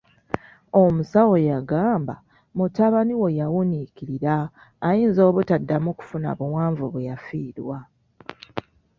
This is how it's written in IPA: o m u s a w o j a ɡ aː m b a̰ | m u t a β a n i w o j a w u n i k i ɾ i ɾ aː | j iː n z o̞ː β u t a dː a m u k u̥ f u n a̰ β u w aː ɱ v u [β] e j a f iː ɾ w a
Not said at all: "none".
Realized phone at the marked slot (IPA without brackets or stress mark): β